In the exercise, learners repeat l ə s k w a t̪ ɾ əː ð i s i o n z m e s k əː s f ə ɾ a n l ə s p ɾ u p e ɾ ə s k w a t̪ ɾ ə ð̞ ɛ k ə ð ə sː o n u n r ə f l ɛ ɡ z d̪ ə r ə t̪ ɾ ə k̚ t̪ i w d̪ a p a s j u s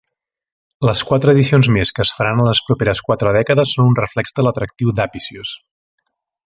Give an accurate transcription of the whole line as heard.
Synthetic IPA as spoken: l ə s k w a t̪ ɾ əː ð i s i o n z m e s k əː s f ə ɾ a n l ə s p ɾ u p e ɾ ə s k w a t̪ ɾ ə ð̞ ɛ k ə ð ə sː o n u n r ə f l ɛ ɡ z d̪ ə l ə t̪ ɾ ə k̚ t̪ i w d̪ a p i s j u s